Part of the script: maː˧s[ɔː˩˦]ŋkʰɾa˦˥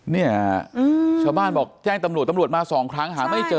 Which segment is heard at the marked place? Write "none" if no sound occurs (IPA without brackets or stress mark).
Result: ɔː˩˦